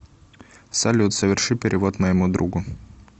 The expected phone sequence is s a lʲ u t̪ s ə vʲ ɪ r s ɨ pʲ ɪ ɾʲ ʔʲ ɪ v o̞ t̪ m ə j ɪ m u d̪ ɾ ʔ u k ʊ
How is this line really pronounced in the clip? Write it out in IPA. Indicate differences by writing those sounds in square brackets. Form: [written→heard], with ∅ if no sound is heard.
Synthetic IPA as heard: s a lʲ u t̪ s ə vʲ ɪ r [s→ʂ] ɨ pʲ ɪ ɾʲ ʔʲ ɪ v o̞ t̪ m ə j ɪ m u d̪ ɾ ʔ u [k→ɡ] ʊ